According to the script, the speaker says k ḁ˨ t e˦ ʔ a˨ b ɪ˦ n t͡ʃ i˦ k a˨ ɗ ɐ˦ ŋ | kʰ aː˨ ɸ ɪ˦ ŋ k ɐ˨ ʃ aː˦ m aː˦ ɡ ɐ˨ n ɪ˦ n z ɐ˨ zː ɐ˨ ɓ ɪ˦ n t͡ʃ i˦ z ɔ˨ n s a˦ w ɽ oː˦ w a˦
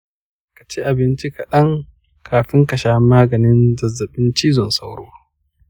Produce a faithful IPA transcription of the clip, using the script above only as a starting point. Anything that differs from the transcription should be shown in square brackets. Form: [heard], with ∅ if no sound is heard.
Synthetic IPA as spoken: k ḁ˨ [t͡ʃ] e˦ ʔ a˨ b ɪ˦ n t͡ʃ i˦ k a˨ ɗ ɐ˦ ŋ | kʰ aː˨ ɸ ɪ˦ ŋ k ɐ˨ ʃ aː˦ m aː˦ ɡ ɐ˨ n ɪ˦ n z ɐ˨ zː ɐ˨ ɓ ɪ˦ n t͡ʃ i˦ z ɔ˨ n s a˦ w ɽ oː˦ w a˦